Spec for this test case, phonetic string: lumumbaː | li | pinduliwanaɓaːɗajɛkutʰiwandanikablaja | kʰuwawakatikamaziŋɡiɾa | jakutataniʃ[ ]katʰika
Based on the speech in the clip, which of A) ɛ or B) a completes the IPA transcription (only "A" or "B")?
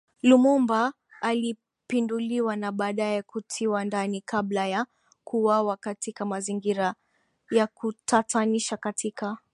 B